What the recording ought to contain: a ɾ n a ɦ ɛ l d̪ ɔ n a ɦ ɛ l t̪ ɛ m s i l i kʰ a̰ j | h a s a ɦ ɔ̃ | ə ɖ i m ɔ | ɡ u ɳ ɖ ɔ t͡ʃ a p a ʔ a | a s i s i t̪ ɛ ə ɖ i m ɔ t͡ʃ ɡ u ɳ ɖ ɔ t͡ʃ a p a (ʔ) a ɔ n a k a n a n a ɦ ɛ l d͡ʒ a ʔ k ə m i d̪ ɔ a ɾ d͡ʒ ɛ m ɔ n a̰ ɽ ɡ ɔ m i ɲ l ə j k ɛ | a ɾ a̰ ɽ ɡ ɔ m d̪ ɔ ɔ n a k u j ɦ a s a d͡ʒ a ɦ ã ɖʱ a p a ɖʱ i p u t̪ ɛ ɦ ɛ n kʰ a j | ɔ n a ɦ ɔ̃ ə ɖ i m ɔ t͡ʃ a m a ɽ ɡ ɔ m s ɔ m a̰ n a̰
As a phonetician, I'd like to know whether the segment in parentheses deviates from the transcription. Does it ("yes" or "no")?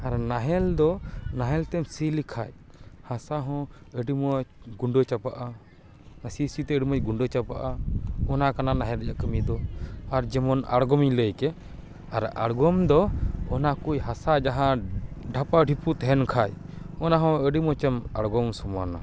no